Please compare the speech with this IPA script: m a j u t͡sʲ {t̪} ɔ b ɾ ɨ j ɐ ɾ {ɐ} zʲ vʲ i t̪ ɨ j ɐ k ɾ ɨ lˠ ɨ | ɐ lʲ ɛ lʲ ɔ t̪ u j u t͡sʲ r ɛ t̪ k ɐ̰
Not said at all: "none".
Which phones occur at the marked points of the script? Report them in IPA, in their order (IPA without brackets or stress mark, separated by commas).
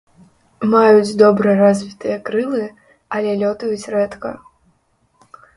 d̪, a